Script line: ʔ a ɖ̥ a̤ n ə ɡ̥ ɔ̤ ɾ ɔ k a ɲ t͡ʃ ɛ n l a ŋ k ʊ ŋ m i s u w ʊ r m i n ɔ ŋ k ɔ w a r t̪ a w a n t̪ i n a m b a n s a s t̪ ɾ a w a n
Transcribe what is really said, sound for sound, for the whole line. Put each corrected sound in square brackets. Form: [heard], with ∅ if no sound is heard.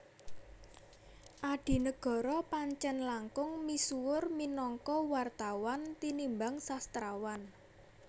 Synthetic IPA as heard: ʔ a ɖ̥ [i̤] n ə ɡ̥ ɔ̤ ɾ ɔ [p] a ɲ t͡ʃ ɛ n l a ŋ k ʊ ŋ m i s u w ʊ r m i n ɔ ŋ k ɔ w a r t̪ a w a n t̪ i n [i] m b a [ŋ] s a s t̪ ɾ a w a n